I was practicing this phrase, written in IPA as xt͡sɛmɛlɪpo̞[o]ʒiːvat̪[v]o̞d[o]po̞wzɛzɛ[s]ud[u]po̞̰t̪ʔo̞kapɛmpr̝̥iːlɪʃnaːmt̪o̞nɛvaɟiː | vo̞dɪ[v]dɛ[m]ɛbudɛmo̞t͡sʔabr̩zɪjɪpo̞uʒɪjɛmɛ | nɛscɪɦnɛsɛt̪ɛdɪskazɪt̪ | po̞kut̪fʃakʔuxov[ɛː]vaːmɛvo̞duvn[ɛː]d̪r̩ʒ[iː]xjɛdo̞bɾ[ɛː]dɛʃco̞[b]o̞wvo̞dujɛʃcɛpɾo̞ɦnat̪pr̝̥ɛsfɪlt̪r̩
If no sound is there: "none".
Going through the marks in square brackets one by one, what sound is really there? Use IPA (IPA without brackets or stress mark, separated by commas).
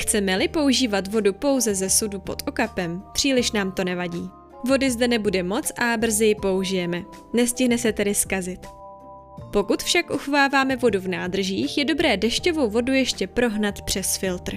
u, v, u, s, u, z, n, aː, aː, iː, ɛː, v